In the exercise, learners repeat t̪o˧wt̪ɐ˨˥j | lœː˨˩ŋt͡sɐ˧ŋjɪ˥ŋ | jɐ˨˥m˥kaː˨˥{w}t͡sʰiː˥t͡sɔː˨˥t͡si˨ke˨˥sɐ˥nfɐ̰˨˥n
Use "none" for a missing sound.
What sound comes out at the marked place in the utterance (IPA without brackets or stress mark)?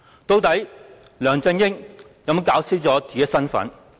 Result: w